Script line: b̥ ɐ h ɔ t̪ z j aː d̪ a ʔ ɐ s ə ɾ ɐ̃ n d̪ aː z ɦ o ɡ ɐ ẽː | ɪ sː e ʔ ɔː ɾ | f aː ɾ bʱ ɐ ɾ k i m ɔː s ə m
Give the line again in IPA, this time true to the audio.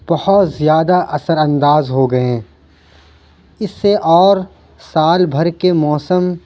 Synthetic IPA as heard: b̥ ɐ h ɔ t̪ z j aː d̪ a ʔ ɐ s ə ɾ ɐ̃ n d̪ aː z ɦ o ɡ ɐ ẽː | ɪ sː e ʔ ɔː ɾ | s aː l bʱ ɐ ɾ k e m ɔː s ə m